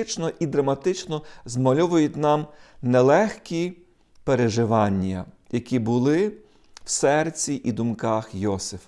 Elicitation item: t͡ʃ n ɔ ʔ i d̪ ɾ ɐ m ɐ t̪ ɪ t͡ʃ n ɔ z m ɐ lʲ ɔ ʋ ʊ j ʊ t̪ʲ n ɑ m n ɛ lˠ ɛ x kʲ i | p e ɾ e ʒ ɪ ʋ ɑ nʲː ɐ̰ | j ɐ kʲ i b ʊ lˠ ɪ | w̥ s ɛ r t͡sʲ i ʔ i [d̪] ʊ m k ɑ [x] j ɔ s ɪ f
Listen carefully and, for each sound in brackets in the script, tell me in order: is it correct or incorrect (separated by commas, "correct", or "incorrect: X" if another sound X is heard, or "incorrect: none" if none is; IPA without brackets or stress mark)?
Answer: correct, correct